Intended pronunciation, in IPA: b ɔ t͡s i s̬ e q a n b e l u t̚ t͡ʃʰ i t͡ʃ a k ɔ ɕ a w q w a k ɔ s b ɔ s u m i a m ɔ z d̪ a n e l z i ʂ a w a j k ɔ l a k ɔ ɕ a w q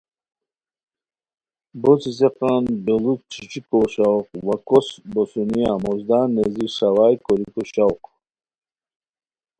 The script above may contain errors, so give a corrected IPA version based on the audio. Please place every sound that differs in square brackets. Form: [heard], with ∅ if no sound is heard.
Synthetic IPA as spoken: b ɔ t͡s i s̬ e q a n b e l u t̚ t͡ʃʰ i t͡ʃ [i] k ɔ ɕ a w q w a k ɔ s b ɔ s u [n] i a m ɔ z d̪ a n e [∅] z i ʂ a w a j k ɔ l [i] k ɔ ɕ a w q